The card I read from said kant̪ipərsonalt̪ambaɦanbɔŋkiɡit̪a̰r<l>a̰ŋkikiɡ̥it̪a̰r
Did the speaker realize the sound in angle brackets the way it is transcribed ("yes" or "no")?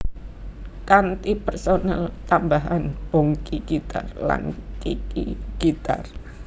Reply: yes